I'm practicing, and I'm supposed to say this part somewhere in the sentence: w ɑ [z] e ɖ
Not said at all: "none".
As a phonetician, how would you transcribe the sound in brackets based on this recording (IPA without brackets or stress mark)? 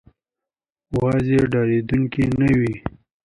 z